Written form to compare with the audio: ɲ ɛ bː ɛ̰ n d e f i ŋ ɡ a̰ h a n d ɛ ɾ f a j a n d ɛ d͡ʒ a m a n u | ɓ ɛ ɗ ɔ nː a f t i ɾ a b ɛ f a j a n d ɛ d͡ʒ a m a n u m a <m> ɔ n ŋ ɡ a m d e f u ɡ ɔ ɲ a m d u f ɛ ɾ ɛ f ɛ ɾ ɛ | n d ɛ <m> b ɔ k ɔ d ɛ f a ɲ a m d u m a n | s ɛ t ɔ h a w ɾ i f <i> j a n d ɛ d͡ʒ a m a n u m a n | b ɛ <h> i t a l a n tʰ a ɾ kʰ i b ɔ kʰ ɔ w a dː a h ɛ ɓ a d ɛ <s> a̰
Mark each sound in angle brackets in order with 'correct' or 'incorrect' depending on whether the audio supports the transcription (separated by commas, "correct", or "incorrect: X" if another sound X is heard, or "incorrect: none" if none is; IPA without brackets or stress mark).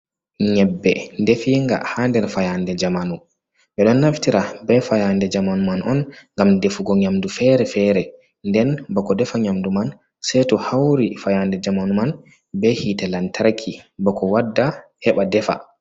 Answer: incorrect: n, incorrect: n, incorrect: a, correct, incorrect: f